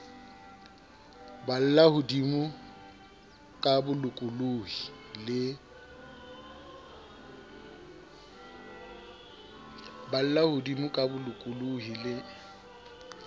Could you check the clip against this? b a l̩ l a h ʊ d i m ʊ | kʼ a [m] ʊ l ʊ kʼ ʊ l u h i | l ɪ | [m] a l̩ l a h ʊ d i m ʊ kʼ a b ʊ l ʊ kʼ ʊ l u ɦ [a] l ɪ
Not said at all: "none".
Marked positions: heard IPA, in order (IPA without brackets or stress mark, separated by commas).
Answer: b, b, i